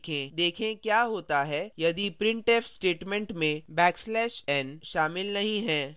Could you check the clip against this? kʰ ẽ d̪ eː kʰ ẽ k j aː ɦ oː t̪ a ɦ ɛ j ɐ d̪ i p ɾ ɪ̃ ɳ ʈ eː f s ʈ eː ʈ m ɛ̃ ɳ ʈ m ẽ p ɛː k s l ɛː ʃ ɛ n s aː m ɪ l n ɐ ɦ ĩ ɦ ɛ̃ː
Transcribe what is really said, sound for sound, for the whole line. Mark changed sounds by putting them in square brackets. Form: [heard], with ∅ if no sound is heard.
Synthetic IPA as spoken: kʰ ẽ d̪ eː kʰ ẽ k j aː ɦ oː t̪ a ɦ ɛ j ɐ d̪ i p ɾ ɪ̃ ɳ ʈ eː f s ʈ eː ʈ m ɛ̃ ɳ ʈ m ẽ [b] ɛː k s l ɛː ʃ ɛ n [ʃ] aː m ɪ l n ɐ ɦ ĩ ɦ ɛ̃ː